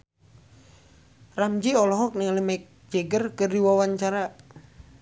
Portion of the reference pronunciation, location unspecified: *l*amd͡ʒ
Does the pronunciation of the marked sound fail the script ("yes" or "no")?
yes